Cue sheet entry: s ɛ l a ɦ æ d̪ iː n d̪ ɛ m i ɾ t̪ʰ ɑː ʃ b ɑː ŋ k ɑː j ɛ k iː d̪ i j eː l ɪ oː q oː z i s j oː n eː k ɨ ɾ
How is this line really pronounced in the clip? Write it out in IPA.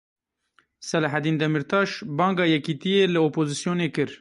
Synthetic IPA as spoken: s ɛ l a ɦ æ d̪ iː n d̪ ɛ m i ɾ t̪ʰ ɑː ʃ b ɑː ŋ ɡ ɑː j ɛ k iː t̪ i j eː l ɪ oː p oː z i s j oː n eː k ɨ ɾ